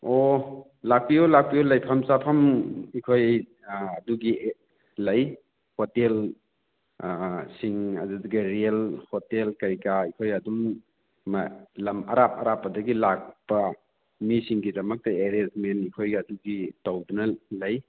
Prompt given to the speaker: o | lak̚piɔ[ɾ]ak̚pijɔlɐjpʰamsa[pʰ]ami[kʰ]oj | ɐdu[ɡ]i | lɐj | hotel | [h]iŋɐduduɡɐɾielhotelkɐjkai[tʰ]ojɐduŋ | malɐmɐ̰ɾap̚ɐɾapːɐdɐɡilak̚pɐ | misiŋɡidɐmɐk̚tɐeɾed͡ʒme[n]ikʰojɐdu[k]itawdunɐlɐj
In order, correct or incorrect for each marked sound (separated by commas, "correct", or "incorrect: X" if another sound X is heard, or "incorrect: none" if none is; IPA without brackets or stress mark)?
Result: incorrect: l, correct, correct, correct, incorrect: s, incorrect: kʰ, correct, incorrect: ɡ